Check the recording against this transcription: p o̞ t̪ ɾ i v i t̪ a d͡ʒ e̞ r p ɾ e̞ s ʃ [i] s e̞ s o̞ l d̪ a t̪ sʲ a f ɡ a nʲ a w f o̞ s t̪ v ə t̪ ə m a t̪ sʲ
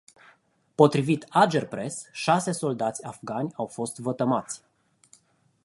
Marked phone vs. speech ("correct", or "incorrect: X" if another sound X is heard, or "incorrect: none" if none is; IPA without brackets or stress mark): incorrect: a